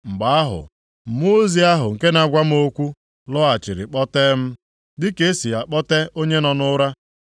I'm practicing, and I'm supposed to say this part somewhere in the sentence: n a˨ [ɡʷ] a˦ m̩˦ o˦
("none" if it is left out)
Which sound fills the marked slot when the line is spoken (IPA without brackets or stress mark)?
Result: ɡʷ